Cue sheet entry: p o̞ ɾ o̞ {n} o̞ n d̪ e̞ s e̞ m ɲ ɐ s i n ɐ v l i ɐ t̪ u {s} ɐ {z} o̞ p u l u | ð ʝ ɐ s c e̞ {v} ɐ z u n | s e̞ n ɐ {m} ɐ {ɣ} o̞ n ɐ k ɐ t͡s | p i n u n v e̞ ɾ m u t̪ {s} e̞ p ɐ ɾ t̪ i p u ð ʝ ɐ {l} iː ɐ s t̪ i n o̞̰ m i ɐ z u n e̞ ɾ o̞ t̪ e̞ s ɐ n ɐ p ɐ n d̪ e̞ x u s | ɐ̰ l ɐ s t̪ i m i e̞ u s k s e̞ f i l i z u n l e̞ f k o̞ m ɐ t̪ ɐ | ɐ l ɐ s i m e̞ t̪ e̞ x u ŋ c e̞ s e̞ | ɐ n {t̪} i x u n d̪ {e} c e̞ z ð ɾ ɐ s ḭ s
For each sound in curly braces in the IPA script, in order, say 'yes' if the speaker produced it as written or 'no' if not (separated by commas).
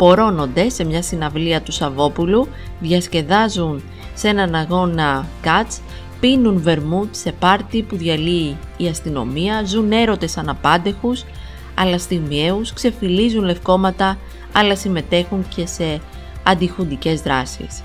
yes, yes, no, no, no, yes, yes, yes, no, no